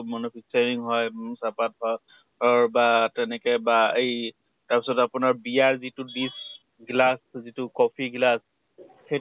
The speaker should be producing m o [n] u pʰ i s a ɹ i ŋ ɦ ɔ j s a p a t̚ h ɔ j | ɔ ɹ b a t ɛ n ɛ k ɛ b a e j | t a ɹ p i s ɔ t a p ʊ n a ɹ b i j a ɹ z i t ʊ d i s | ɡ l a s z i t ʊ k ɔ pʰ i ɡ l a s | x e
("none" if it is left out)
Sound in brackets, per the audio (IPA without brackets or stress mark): n